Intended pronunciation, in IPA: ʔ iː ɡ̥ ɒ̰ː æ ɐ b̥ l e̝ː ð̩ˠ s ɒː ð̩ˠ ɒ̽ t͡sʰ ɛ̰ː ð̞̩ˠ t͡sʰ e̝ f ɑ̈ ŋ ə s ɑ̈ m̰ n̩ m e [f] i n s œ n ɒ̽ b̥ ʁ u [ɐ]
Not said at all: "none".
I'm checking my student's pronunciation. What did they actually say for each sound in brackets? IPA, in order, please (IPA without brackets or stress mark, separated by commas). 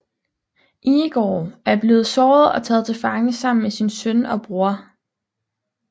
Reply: s, ɐ